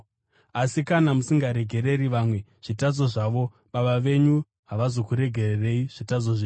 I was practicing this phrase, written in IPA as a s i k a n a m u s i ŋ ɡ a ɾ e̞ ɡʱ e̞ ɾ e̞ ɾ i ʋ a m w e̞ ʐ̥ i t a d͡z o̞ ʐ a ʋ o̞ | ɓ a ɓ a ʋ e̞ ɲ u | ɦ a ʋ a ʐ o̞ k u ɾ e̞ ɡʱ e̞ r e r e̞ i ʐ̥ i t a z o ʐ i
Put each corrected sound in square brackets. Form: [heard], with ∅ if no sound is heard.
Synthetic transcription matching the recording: a s i k a n a m u s i ŋ ɡ a ɾ e̞ ɡʱ e̞ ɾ e̞ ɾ i ʋ a m w e̞ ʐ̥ i t a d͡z o̞ ʐ a ʋ o̞ | ɓ a ɓ a ʋ e̞ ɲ u | ɦ a ʋ a [z] o̞ k u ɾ e̞ ɡʱ e̞ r e r e̞ i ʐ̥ i t a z o ʐ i